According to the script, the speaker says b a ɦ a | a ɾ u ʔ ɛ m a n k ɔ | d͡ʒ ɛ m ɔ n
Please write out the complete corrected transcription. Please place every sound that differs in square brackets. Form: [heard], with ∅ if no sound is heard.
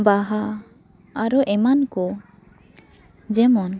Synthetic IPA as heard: b a ɦ a | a ɾ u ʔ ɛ m a n k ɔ | d͡ʒ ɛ m ɔ n